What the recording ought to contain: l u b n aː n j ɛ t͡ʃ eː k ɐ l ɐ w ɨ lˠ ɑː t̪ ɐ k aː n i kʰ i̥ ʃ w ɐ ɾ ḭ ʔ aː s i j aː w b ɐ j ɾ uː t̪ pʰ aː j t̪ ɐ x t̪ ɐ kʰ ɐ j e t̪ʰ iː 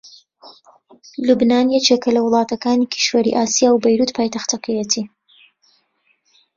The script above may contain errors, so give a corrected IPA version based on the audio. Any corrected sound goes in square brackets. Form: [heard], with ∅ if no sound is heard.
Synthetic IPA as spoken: l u b n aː n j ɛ t͡ʃ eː k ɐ l ɐ w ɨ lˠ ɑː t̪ ɐ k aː n i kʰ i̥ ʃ w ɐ ɾ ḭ ʔ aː s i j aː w b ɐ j ɾ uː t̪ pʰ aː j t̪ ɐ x t̪ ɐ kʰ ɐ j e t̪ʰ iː